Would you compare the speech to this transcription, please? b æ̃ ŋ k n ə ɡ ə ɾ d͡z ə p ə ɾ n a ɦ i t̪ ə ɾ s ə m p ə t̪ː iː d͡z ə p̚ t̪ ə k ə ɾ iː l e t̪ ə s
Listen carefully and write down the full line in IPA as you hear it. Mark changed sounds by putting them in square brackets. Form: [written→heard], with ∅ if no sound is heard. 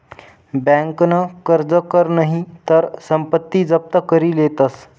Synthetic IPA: b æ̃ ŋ k n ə [ɡ→k] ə ɾ d͡z ə [p→k] ə ɾ n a ɦ i t̪ ə ɾ s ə m p ə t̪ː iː d͡z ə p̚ t̪ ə k ə ɾ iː l e t̪ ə s